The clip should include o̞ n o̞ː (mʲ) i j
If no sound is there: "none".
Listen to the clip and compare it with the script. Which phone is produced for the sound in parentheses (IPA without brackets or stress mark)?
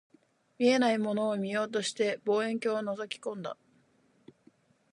mʲ